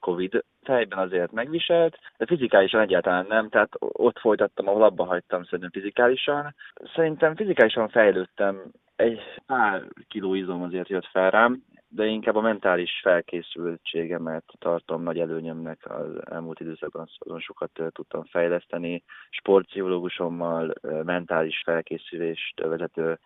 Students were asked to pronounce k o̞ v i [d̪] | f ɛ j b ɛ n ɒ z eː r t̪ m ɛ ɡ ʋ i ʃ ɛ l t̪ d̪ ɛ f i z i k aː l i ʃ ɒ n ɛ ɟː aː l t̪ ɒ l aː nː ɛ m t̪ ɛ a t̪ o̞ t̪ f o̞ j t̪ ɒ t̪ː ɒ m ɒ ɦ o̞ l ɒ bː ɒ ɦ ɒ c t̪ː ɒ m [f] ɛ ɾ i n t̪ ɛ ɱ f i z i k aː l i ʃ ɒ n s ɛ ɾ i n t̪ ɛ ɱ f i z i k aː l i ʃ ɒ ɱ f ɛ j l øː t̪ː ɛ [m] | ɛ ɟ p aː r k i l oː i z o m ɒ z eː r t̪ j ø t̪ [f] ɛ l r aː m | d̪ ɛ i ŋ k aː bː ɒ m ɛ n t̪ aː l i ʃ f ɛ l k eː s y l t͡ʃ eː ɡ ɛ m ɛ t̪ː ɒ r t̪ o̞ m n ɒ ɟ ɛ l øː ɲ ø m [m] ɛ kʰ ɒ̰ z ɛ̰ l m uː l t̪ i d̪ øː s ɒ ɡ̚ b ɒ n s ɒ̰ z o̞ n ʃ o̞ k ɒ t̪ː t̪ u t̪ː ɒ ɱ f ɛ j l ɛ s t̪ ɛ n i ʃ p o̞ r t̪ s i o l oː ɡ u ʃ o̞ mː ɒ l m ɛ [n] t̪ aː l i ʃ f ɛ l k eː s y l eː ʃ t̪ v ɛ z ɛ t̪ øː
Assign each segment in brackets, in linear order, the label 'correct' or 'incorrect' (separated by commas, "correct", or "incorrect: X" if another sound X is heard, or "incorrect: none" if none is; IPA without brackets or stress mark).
correct, incorrect: s, correct, correct, incorrect: n, correct